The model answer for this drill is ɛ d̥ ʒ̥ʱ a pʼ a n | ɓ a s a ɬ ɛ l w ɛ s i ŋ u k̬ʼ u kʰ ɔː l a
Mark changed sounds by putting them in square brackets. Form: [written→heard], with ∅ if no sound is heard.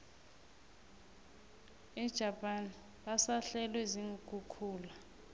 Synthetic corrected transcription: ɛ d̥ ʒ̥ʱ a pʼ a n | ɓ a s a ɬ ɛ l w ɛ [s→z] i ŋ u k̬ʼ u kʰ [ɔː→uː] l a